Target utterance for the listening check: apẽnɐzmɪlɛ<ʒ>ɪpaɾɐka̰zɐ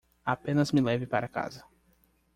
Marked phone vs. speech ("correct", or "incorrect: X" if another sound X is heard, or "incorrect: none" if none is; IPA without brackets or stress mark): incorrect: v